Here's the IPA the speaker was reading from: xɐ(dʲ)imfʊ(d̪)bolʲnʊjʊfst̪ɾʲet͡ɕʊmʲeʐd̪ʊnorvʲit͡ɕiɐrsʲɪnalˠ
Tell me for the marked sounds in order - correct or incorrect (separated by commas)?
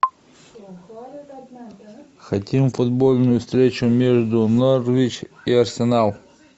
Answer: incorrect, correct